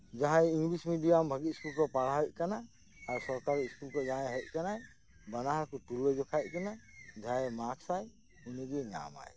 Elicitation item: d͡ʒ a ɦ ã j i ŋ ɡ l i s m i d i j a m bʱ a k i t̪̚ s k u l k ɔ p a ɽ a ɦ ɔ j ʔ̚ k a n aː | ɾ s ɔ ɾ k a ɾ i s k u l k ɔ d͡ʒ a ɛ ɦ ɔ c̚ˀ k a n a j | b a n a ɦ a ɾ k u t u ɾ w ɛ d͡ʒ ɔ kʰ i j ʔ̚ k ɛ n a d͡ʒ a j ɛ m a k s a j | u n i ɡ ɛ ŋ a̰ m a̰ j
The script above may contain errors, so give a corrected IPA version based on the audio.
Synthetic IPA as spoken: d͡ʒ a ɦ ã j i ŋ ɡ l i s m i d i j a m bʱ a ɡ i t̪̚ s k u l k ɔ p a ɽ a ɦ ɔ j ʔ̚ k a n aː | ɾ s ɔ ɾ k a ɾ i s k u l k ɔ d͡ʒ a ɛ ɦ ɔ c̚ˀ k a n a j | b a n a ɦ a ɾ k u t u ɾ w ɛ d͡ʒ ɔ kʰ a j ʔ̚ k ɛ n a d͡ʒ a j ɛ m a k s a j | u n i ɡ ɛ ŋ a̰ m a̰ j